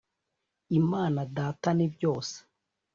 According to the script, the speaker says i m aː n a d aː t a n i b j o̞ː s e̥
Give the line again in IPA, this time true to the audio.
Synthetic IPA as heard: i m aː n a d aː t a n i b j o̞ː s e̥